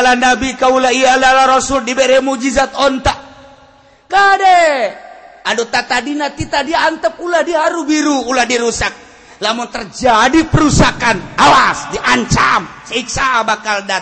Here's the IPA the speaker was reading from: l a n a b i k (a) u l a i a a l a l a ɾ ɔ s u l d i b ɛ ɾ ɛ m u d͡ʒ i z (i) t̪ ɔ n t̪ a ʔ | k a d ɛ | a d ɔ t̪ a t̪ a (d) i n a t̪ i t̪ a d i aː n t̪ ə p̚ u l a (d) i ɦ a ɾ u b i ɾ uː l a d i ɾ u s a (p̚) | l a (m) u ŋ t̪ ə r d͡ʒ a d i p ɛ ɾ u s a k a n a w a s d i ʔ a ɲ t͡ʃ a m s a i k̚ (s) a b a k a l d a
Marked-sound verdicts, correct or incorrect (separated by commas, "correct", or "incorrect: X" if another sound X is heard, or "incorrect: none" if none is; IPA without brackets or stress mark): correct, incorrect: a, correct, correct, incorrect: k̚, correct, correct